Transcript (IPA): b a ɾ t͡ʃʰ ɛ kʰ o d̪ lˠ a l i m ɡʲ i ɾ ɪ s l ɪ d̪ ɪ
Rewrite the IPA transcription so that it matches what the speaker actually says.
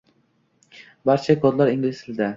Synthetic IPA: b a ɾ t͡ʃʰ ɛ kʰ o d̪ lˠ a ɾ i ŋ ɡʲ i l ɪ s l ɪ d̪ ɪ